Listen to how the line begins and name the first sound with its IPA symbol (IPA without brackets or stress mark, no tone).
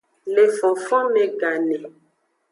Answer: l